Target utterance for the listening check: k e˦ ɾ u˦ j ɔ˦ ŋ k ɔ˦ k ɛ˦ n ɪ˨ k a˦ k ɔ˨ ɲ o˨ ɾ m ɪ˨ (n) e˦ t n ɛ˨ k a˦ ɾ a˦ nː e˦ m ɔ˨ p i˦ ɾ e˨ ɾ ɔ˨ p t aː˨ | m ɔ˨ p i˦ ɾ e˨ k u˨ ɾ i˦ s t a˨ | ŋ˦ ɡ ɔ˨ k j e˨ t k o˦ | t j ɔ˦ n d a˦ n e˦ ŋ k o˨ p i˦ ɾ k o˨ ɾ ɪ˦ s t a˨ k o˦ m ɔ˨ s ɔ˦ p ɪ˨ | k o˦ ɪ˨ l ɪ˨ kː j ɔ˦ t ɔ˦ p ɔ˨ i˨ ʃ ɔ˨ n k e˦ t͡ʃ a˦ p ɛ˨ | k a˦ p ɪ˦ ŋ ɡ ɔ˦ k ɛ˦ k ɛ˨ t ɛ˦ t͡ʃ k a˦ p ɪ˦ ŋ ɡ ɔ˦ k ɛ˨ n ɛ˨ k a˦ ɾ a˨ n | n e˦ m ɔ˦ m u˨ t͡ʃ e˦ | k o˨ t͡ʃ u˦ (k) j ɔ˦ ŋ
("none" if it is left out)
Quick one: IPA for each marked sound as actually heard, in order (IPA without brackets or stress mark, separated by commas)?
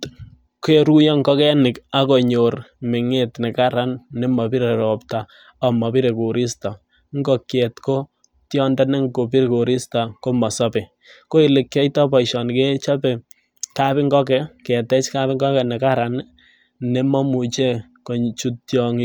ŋ, t